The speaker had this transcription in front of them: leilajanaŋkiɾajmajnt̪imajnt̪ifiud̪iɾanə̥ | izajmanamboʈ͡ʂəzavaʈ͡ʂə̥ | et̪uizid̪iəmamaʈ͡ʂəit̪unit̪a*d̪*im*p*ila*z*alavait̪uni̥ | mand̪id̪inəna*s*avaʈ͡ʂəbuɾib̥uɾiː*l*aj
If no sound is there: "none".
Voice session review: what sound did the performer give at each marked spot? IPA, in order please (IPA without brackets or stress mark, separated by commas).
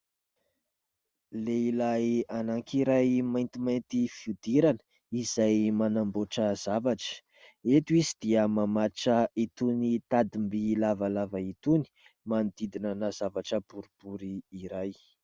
d̪, b, v, z, ɾ